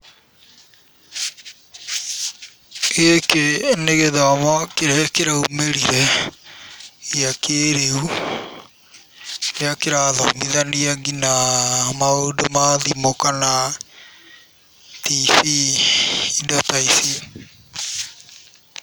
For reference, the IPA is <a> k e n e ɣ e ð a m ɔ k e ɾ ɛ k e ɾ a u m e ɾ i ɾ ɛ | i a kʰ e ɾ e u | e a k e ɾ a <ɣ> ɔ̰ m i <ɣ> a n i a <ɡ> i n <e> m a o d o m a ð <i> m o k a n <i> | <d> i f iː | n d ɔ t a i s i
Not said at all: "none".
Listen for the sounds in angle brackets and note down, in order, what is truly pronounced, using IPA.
e, ð, ð, ɡ, a, i, a, t

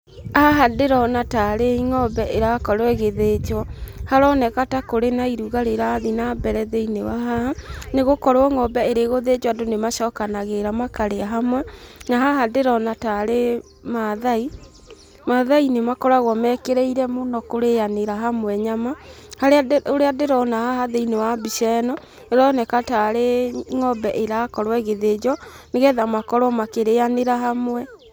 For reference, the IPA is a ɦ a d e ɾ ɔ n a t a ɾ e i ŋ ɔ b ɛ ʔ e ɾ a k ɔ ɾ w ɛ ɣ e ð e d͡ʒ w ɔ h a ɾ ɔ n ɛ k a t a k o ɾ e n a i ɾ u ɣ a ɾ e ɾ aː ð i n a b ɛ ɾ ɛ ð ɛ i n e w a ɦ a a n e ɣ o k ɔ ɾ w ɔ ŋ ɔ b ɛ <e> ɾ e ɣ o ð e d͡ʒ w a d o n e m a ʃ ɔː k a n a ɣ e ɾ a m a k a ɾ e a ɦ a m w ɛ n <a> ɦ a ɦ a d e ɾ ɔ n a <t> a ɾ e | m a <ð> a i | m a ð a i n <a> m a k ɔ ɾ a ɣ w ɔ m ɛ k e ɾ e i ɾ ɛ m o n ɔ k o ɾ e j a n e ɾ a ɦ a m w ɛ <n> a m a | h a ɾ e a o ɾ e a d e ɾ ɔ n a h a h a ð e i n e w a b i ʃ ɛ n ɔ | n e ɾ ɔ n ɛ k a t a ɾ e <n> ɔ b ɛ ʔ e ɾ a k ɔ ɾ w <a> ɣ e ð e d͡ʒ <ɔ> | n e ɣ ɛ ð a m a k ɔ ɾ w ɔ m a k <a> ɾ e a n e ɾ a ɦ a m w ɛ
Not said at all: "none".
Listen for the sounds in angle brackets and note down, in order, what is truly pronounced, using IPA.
e, a, t, ð, e, ɲ, ŋ, ɛ, ɔ, e

